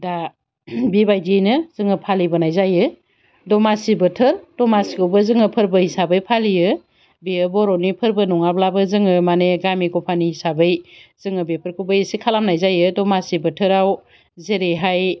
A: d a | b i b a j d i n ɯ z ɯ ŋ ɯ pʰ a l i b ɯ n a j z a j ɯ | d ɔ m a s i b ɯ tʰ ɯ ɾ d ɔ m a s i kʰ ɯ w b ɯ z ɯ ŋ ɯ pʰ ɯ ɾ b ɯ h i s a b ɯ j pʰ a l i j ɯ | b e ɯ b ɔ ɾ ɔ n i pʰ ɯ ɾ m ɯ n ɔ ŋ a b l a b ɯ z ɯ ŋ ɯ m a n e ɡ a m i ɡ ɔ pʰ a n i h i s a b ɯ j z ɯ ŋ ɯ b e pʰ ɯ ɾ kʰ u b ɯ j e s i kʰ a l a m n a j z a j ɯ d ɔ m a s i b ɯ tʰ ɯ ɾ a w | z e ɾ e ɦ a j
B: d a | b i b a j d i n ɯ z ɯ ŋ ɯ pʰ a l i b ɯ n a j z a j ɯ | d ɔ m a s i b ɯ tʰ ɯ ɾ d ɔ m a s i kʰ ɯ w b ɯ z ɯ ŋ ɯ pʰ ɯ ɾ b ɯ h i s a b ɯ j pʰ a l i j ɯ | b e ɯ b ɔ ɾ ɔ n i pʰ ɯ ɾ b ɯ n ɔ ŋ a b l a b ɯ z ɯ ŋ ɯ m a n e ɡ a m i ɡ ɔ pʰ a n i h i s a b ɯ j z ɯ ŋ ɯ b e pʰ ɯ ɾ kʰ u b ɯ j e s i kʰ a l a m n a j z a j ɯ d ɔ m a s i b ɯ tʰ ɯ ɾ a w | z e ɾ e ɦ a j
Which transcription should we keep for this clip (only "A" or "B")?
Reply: B